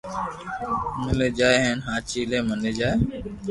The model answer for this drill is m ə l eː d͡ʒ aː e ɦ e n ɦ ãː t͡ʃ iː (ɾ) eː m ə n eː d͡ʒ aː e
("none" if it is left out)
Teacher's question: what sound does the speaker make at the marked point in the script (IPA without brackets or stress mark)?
l